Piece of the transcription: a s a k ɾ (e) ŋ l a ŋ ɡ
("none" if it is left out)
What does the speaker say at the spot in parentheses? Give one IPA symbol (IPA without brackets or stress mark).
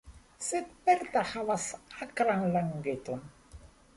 a